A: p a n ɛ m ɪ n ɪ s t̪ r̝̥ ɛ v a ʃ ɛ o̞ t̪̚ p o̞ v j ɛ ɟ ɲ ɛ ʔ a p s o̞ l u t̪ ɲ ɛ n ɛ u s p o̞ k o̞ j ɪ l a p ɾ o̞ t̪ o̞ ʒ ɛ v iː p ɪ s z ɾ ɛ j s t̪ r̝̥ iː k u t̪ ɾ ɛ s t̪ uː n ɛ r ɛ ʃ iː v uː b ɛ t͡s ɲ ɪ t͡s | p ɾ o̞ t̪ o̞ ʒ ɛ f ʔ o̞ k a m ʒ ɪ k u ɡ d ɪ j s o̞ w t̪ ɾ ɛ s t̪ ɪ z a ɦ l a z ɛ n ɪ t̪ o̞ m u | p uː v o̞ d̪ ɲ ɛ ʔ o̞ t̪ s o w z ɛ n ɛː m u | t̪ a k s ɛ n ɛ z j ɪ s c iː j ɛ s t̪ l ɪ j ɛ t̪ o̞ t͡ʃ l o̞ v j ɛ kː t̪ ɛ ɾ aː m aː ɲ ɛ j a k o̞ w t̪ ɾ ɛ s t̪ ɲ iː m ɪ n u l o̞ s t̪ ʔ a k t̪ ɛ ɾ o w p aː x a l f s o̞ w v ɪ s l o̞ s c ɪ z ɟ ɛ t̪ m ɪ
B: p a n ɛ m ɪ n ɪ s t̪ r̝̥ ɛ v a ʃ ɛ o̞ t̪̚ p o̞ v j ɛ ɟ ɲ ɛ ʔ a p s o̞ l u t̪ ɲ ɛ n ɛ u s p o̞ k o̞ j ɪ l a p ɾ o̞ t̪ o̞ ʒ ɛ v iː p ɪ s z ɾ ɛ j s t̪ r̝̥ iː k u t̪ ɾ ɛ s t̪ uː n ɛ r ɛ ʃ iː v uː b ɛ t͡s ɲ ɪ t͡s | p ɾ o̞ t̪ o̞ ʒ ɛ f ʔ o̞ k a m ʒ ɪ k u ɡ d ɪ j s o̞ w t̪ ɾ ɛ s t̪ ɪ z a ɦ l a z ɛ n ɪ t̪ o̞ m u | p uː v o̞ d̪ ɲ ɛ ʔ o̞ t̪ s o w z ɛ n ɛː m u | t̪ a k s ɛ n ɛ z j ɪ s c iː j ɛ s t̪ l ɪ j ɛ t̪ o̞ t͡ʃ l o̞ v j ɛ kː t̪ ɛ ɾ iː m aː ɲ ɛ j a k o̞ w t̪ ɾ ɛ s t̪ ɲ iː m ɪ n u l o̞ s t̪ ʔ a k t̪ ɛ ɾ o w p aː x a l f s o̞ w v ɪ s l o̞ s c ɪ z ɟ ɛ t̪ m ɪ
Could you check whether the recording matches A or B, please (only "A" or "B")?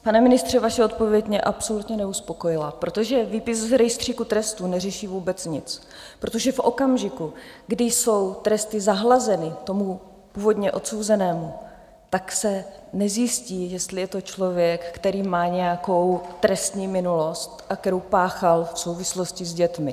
B